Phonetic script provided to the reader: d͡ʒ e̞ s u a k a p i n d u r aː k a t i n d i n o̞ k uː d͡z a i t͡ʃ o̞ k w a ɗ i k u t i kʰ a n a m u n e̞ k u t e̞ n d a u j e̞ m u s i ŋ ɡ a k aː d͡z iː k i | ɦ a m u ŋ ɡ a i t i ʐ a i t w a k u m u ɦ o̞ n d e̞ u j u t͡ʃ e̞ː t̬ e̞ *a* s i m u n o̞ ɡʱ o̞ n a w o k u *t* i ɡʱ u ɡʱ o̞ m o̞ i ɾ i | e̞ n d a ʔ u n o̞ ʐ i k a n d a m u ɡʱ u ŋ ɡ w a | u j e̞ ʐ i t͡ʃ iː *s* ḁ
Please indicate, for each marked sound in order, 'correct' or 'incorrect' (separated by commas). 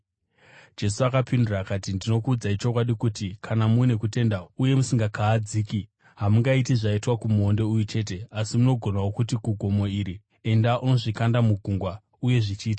correct, correct, incorrect